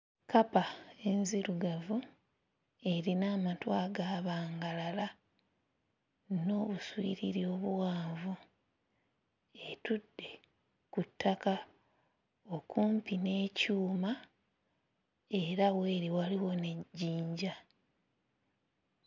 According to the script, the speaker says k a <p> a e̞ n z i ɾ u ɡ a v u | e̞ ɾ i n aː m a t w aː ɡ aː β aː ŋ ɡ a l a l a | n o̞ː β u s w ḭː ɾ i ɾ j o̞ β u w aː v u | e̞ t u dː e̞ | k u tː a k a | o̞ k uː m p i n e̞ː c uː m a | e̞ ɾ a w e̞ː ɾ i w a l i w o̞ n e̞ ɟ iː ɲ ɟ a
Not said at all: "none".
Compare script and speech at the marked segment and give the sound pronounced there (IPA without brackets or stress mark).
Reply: p